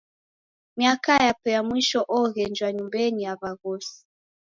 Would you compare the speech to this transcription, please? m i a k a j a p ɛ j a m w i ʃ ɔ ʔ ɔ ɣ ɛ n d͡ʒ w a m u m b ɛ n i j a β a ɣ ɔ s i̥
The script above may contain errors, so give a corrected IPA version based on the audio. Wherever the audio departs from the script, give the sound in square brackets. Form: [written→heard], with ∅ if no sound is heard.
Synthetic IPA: m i a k a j a p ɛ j a m w i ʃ ɔ ʔ ɔ ɣ ɛ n d͡ʒ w a [m→ɲ] u m b ɛ n i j a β a ɣ ɔ s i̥